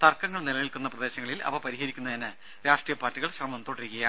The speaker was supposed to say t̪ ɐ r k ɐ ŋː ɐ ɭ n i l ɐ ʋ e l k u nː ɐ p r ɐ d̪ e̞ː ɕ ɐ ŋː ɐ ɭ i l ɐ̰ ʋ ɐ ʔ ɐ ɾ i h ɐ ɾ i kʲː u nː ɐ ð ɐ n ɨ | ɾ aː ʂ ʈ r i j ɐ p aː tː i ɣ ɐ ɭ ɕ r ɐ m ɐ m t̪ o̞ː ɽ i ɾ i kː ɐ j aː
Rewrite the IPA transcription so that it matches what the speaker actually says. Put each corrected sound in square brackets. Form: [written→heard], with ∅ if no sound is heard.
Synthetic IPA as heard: t̪ ɐ r k ɐ ŋː ɐ ɭ n i l ɐ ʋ [e→i] l k u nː ɐ p r ɐ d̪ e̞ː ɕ ɐ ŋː ɐ ɭ i l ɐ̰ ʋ ɐ [ʔ→p] ɐ ɾ i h ɐ ɾ i kʲː u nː ɐ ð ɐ n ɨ | ɾ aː ʂ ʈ r i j ɐ p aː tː i ɣ ɐ ɭ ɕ r ɐ m ɐ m t̪ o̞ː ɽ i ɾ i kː ɐ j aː